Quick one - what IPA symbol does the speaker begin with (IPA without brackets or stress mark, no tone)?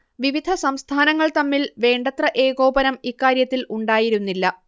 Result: ʋ